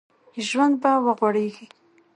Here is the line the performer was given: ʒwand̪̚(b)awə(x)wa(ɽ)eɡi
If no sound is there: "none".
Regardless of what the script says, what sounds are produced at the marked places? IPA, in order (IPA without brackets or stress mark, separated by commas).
b, ɣ, ɽ